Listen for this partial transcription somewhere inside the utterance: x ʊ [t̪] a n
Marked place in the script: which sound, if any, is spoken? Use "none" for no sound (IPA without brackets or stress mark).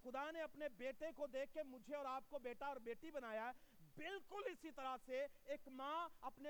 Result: d̪